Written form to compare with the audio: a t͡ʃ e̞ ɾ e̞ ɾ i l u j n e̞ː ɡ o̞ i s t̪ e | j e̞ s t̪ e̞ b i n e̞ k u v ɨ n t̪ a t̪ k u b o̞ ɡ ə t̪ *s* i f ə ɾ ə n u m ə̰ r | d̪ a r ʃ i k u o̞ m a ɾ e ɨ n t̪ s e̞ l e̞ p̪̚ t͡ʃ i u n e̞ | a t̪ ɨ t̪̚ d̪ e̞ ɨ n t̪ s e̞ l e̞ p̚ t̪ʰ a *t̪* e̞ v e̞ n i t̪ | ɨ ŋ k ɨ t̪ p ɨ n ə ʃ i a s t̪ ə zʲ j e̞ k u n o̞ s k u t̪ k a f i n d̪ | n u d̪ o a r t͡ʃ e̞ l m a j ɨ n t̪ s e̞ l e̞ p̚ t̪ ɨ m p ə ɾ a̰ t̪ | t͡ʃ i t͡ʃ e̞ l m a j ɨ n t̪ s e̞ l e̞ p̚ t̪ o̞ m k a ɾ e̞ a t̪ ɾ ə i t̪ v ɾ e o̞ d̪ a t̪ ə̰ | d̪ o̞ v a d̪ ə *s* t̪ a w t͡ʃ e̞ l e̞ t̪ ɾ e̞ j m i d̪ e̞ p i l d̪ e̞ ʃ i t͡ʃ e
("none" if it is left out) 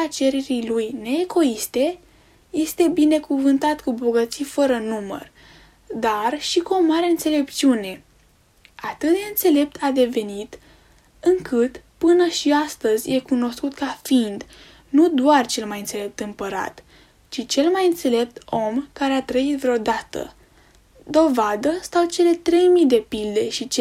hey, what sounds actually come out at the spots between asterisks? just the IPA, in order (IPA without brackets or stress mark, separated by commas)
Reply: s, d̪, s